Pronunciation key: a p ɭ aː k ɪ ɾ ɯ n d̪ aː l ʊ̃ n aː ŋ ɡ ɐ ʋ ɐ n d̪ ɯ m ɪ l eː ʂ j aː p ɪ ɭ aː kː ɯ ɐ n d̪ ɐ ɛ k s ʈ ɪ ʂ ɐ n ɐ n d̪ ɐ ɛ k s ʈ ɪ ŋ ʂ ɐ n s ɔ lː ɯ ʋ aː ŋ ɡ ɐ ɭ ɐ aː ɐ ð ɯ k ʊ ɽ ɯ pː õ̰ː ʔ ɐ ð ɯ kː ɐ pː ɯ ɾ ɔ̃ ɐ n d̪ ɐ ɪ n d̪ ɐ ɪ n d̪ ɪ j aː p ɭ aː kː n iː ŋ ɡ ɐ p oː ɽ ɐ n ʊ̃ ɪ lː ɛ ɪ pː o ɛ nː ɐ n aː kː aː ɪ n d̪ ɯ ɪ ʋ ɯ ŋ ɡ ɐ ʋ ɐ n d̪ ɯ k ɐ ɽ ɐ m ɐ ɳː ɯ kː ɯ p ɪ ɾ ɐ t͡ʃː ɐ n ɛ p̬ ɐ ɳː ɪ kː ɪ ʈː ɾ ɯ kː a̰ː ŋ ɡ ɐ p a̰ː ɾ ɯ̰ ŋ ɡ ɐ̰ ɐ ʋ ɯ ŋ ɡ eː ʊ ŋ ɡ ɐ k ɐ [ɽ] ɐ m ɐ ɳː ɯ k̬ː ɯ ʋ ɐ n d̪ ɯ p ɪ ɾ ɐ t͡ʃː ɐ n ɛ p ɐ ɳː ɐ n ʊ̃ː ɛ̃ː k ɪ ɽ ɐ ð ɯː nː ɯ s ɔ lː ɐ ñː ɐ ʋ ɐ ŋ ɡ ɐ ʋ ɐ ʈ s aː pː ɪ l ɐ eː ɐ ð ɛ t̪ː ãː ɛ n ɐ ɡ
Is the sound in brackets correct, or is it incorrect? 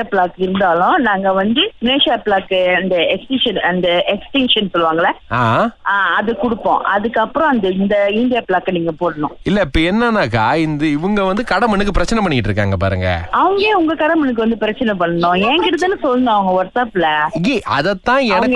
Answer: correct